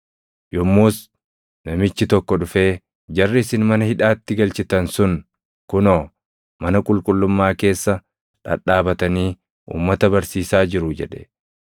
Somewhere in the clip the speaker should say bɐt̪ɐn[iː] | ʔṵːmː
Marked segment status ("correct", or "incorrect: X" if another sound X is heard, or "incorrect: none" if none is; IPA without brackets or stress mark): correct